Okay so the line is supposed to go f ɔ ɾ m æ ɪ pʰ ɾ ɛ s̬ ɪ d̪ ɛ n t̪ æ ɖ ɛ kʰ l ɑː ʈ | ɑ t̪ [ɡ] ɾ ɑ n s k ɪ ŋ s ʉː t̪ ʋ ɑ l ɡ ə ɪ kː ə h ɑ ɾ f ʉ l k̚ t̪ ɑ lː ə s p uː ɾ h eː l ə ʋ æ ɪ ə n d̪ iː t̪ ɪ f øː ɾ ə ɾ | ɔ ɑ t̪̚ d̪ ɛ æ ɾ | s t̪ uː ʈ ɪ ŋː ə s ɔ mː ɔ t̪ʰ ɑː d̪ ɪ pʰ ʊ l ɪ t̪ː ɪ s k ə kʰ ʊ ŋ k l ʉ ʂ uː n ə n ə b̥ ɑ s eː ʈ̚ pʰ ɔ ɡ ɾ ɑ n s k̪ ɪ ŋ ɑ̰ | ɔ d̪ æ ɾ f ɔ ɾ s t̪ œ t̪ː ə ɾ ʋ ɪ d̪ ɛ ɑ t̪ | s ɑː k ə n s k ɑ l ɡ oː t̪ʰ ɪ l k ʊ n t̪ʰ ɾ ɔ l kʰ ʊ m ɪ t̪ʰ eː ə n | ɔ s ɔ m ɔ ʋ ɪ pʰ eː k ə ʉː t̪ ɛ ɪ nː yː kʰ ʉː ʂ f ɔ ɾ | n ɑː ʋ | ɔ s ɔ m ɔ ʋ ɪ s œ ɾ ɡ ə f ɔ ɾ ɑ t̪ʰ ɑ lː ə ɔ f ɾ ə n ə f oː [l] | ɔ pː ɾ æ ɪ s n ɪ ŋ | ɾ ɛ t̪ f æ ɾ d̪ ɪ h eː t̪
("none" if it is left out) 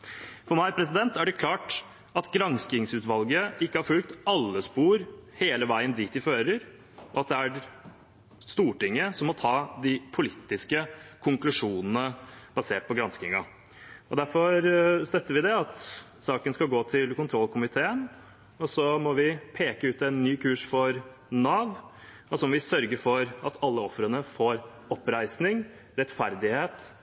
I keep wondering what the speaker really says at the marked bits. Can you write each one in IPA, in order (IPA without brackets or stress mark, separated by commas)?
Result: ɡ, ɾ